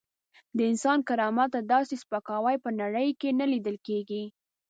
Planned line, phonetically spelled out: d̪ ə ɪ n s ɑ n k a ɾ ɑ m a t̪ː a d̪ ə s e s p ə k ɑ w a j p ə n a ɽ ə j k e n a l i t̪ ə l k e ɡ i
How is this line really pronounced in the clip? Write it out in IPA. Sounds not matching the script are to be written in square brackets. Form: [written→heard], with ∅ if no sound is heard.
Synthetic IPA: d̪ ə ɪ n s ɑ n k a ɾ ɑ m a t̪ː a d̪ [ə→ɑ] s e s p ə k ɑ w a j p ə n a ɽ ə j k e n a l i [t̪→d̪] ə l k e ɡ i